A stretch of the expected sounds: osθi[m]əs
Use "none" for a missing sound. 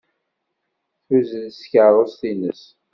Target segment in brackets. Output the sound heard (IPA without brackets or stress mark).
n